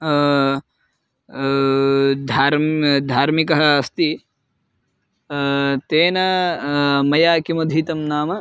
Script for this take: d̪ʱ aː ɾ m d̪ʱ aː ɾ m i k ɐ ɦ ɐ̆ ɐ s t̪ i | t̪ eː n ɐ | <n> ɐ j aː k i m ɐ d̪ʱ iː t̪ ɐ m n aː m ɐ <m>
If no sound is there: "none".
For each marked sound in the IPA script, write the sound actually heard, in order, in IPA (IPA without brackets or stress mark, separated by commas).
m, none